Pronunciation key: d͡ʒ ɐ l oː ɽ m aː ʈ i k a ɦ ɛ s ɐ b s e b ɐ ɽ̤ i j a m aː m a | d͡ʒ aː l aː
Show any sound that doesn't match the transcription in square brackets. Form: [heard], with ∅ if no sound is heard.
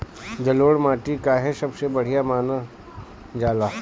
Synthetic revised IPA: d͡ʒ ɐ l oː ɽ m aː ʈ i k a ɦ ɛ s ɐ b s e b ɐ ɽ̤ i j a m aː [n] a | d͡ʒ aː l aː